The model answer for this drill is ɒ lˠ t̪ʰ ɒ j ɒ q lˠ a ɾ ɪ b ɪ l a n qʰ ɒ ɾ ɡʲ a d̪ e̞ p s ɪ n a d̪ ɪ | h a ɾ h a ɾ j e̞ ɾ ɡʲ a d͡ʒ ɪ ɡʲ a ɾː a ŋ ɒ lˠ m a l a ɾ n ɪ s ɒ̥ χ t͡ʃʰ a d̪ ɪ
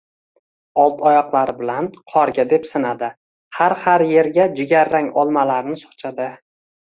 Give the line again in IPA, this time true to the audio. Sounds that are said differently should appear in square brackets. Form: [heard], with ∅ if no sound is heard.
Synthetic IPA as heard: ɒ lˠ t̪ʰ ɒ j ɒ q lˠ a ɾ ɪ b ɪ l a n qʰ ɒ ɾ ɡʲ a d̪ e̞ p s ɪ n a d̪ ɪ | h a ɾ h a ɾ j e̞ ɾ ɡʲ a d͡ʒ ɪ ɡʲ a ɾː a ŋ ɒ lˠ m a l a ɾ n ɪ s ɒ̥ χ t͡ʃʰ a d̪ ɪ